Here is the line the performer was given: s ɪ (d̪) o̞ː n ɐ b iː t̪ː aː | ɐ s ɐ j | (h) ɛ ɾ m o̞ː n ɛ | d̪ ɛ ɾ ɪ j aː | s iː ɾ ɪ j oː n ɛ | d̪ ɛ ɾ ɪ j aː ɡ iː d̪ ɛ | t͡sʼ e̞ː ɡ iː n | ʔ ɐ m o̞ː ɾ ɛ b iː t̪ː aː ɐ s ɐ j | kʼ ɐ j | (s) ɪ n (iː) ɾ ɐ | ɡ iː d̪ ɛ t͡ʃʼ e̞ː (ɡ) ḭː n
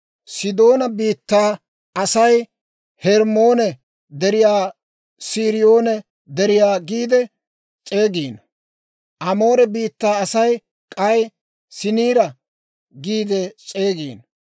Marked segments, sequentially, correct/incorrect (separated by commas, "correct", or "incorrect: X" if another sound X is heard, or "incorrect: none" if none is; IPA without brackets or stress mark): correct, correct, correct, correct, correct